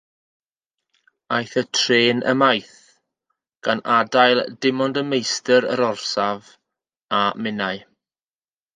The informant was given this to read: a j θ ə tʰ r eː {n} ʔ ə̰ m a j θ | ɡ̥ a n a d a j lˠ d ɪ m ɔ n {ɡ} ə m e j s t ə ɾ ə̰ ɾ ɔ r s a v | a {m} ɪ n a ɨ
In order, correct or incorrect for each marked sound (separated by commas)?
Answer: correct, incorrect, correct